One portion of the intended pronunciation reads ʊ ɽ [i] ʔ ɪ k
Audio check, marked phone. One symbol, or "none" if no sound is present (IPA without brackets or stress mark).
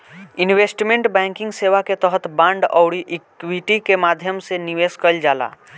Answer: i